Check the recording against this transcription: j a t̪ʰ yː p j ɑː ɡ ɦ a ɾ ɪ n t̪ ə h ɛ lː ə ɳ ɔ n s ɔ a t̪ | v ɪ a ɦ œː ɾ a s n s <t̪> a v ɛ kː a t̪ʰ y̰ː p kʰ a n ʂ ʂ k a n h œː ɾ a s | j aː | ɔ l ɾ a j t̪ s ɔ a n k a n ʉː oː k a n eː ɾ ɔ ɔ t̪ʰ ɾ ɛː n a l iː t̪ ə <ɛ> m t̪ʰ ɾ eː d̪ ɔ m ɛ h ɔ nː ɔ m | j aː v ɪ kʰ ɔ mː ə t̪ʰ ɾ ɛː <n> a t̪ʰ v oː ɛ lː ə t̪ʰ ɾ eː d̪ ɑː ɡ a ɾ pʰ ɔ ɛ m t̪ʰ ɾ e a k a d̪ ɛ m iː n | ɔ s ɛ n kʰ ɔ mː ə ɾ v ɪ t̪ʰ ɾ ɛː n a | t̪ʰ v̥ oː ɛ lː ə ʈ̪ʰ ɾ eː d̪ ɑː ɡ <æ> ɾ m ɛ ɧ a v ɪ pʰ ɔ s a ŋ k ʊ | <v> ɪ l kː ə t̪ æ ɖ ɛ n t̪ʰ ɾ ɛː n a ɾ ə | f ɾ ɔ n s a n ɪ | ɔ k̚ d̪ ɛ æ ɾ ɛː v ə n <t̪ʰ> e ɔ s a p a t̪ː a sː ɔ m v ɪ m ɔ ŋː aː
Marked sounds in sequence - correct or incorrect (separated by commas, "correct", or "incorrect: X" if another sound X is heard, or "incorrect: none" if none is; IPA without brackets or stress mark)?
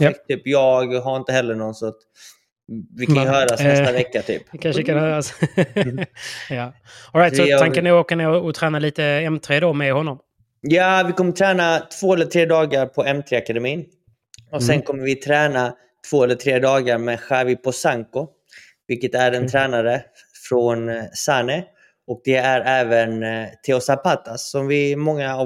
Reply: correct, correct, correct, incorrect: a, correct, correct